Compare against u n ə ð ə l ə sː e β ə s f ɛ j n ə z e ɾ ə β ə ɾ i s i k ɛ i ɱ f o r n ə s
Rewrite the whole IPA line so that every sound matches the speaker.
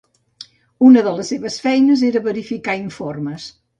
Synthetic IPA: u n ə ð ə l ə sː e β ə s f ɛ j n ə z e ɾ ə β ə ɾ i f i k a i ɱ f o r m ə s